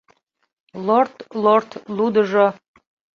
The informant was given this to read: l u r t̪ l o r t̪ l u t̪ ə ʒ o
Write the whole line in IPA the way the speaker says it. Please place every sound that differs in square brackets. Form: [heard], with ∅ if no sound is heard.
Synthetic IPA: l [o] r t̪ l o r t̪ l u [d̪] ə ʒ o